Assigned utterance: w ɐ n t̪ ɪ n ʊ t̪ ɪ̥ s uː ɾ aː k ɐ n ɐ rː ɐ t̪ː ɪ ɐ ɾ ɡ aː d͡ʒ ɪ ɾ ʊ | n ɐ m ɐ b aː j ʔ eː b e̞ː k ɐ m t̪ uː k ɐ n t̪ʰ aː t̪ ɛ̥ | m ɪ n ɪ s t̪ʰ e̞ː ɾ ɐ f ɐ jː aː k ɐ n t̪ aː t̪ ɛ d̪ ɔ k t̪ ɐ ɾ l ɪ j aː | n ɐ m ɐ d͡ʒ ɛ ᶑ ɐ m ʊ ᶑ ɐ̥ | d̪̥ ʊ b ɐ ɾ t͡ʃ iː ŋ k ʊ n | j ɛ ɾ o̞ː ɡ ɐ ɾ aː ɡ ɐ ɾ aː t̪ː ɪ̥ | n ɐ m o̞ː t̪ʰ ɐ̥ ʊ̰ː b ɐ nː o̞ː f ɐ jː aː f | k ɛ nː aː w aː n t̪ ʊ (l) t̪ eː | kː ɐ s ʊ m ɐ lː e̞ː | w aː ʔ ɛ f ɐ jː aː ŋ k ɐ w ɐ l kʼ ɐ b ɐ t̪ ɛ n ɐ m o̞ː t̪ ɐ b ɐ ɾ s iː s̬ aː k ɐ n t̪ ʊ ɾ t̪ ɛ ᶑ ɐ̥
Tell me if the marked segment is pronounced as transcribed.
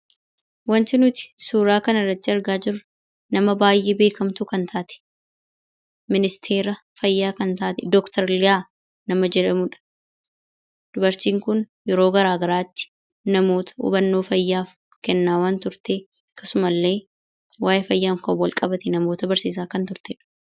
no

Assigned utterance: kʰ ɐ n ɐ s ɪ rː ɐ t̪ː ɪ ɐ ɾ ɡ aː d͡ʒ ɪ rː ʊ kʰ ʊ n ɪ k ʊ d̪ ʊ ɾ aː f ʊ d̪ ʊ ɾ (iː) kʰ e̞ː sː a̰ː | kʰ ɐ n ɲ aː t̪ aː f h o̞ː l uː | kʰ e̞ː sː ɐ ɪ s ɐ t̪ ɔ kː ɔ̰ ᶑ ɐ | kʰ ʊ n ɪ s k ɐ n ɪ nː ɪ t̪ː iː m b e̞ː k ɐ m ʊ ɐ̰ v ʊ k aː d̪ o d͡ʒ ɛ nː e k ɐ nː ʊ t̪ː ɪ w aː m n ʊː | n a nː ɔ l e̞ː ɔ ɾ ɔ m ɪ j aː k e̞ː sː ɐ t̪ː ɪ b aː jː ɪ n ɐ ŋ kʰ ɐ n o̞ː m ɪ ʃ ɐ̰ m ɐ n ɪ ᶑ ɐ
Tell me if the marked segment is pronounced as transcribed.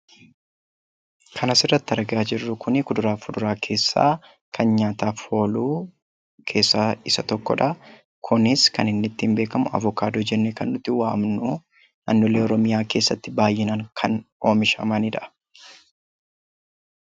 no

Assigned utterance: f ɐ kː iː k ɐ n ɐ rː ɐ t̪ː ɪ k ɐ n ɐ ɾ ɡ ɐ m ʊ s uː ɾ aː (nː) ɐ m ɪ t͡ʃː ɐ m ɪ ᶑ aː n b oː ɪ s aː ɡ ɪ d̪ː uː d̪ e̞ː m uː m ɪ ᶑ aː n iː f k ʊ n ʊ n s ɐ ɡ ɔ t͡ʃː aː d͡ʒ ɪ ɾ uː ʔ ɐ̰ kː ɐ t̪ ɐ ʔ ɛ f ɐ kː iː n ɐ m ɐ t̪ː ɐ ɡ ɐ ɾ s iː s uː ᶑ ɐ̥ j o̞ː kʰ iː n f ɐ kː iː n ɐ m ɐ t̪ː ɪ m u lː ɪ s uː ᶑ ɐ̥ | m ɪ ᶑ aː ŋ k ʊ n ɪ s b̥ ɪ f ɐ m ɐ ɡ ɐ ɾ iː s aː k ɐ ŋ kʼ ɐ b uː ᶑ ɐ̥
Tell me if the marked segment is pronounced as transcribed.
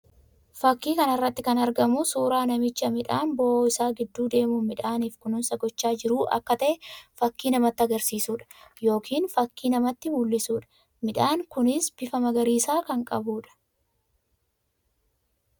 no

